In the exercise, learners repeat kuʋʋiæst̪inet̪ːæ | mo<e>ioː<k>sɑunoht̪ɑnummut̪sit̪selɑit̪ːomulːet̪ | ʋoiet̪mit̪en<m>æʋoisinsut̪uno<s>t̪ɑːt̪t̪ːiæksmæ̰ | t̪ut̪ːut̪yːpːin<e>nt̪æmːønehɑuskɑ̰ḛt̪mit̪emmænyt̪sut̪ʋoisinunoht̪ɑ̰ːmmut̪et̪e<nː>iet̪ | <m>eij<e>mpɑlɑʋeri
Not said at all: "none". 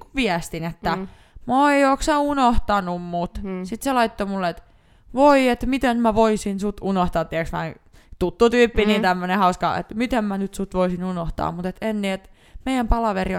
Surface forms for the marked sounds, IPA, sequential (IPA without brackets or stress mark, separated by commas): e, k, m, h, i, nː, m, æ